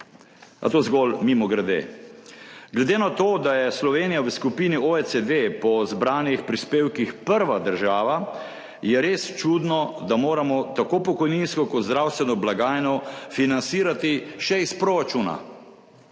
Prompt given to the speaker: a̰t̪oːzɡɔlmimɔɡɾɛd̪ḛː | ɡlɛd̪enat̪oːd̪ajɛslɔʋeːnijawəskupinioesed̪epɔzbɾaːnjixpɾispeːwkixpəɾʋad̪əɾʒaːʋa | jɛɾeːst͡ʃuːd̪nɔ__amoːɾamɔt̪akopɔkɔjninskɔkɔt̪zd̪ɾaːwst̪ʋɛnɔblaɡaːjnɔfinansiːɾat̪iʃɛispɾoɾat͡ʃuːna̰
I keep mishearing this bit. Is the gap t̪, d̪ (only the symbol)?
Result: d̪